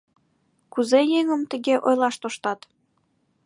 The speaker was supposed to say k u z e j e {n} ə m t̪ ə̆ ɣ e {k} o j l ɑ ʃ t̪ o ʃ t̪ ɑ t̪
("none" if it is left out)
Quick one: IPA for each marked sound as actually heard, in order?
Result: ŋ, ʔ

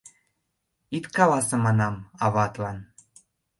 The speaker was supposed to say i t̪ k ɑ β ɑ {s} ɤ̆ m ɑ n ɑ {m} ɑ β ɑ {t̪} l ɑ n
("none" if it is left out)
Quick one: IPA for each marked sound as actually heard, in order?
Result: s, m, t̪

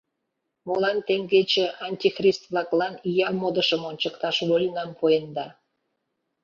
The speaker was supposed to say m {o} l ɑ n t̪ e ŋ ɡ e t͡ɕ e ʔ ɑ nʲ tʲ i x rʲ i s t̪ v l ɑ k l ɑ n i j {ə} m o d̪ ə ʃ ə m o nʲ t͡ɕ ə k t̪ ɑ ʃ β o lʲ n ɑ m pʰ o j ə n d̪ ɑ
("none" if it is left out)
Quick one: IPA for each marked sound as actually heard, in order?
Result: o, ɑ

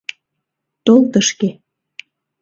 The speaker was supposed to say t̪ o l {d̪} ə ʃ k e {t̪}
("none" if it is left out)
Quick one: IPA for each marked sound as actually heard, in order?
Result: t̪, none

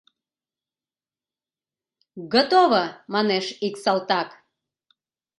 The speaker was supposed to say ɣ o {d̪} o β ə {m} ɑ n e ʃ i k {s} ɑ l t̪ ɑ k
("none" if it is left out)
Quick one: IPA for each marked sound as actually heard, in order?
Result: t̪, m, s

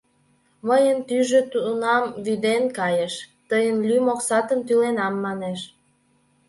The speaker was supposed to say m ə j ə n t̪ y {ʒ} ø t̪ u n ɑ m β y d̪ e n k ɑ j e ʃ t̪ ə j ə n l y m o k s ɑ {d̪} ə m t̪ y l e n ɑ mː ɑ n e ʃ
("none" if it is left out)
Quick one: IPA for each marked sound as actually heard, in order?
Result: ʒ, t̪

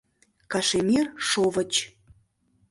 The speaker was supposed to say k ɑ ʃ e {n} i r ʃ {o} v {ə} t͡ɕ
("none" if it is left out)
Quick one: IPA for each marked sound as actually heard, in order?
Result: m, o, ə

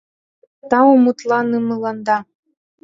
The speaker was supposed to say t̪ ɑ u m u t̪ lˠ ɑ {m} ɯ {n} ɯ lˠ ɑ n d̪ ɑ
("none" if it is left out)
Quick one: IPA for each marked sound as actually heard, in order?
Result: n, m

